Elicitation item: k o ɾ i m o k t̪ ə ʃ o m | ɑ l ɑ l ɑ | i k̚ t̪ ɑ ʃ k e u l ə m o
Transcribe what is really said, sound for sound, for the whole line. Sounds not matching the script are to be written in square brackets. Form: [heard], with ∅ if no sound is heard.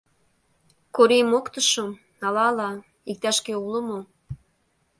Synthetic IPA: k o ɾ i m o k t̪ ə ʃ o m | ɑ l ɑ l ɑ | i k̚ t̪ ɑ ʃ k e u l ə m o